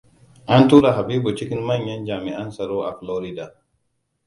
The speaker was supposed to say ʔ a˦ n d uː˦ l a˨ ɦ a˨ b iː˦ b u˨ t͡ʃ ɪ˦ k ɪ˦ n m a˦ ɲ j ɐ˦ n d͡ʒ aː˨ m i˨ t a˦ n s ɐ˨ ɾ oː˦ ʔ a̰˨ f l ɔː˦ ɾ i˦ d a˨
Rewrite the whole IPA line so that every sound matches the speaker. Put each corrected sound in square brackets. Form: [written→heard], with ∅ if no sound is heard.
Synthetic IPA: ʔ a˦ n [d→t] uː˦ [l→ɾ] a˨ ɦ a˨ b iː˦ b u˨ t͡ʃ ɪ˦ k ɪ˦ n m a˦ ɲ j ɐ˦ n d͡ʒ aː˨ m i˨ [t→ʔ] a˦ n s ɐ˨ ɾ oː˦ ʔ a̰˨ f l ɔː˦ ɾ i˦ d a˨